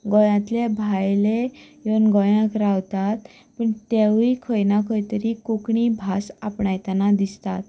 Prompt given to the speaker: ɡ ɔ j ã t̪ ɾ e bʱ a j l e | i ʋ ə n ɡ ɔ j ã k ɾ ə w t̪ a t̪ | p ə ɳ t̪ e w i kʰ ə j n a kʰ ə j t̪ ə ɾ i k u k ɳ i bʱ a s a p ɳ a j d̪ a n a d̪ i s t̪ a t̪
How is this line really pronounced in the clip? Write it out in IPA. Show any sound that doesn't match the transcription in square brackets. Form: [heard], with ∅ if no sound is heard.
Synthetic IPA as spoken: ɡ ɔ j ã t̪ [l] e bʱ a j l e | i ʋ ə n ɡ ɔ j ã k ɾ [a] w t̪ a t̪ | p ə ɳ t̪ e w i kʰ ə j n a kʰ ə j t̪ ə ɾ i k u k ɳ i bʱ a s a p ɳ a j [t̪] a n a d̪ i s t̪ a t̪

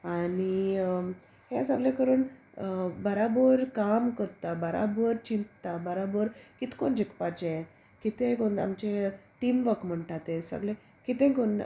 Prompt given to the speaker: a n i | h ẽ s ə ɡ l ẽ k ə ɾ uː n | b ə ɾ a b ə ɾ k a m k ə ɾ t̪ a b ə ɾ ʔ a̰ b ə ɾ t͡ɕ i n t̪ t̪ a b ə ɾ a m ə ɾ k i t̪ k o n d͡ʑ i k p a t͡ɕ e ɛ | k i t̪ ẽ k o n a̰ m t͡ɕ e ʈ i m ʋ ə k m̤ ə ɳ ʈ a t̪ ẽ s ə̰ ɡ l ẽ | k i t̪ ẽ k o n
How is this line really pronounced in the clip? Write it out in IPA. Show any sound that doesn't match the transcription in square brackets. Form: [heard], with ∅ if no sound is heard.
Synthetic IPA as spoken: a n i | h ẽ s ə ɡ l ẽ k ə ɾ uː n | b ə ɾ a b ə ɾ k a m k ə ɾ t̪ a b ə ɾ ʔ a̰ b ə ɾ t͡ɕ i n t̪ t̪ a b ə ɾ a [b] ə ɾ k i t̪ k o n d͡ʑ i k p a t͡ɕ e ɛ | k i t̪ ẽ k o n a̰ m t͡ɕ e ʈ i m ʋ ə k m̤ ə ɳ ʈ a t̪ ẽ s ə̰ ɡ l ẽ | k i t̪ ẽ k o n

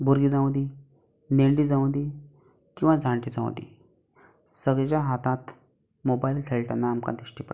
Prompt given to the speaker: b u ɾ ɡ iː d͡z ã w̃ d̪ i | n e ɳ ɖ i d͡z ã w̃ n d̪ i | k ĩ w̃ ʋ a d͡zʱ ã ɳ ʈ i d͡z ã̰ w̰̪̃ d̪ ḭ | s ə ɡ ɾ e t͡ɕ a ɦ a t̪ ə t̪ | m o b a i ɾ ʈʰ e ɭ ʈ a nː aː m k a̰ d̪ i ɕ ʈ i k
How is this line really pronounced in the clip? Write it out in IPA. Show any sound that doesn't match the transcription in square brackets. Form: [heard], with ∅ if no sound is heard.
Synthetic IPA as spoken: b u ɾ ɡ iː d͡z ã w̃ d̪ i | n e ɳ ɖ i d͡z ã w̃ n d̪ i | k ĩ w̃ ʋ a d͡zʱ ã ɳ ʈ i d͡z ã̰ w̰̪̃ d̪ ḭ | s ə ɡ [ɭ] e t͡ɕ a ɦ a t̪ [a] t̪ | m o b a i [l] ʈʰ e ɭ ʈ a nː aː m k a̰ d̪ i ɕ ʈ i [p]

